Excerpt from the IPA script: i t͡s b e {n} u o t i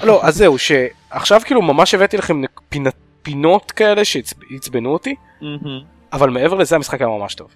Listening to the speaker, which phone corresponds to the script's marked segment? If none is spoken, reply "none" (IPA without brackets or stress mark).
n